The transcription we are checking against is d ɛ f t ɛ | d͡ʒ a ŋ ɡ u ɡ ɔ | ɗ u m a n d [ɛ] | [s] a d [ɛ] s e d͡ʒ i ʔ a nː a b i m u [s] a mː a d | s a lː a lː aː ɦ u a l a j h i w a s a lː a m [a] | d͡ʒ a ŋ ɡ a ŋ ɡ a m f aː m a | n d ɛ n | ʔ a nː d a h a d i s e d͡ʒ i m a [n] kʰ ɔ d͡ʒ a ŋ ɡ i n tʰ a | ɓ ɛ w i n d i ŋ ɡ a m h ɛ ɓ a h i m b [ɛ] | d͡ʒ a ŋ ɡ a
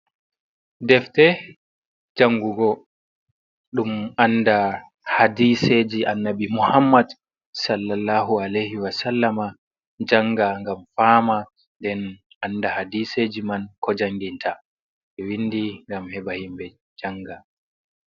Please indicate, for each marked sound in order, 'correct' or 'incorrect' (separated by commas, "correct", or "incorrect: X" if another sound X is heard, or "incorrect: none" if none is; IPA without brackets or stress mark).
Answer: incorrect: a, incorrect: h, incorrect: i, incorrect: h, correct, correct, correct